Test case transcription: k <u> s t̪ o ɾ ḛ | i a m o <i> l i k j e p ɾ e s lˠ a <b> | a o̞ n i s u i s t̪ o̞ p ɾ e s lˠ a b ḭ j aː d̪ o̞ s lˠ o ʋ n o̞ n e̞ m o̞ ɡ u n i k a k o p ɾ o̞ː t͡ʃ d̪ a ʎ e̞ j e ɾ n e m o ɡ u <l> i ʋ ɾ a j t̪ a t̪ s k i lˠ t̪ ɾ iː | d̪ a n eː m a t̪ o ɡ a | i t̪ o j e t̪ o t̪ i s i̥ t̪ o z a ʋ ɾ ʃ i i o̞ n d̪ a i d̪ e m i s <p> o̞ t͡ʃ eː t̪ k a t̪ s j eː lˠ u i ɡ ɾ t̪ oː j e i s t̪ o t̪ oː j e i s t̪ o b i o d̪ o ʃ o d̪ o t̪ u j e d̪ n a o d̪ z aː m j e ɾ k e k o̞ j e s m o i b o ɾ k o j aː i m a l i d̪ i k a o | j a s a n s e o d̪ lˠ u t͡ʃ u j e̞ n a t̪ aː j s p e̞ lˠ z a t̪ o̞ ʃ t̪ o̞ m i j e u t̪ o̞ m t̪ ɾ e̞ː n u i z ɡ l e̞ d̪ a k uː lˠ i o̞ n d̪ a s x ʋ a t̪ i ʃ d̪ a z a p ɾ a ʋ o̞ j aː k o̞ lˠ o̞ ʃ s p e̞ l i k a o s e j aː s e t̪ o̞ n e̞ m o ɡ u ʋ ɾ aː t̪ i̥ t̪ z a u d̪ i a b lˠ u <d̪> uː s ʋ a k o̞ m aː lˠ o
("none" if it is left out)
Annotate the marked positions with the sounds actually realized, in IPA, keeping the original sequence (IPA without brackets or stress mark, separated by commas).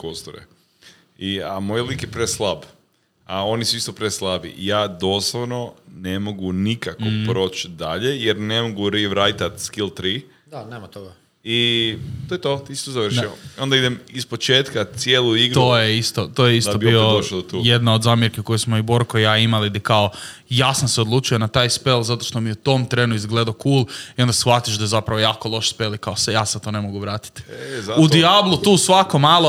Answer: o, j, b, ɾ, p, t̪